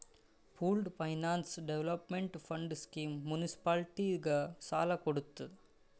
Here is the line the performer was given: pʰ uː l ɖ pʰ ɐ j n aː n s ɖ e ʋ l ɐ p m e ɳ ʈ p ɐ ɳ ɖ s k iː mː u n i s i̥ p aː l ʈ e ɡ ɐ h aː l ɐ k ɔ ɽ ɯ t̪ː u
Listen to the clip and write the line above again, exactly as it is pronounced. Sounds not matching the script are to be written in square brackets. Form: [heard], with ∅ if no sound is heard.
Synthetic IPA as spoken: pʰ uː l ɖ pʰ ɐ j n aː n s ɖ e ʋ l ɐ p m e ɳ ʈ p ɐ ɳ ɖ s k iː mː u n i s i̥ p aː l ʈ [i] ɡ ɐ [s] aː l ɐ k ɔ ɽ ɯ t̪ː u